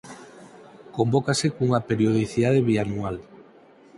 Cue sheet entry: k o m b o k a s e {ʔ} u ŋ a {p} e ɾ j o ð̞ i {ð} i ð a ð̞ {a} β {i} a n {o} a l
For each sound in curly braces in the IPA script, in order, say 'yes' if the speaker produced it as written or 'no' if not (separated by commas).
no, yes, no, no, yes, no